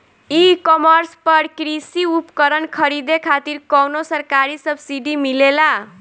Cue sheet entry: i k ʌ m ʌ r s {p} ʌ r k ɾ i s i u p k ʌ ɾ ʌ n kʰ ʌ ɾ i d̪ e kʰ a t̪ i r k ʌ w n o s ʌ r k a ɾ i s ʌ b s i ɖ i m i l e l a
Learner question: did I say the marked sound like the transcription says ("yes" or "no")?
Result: yes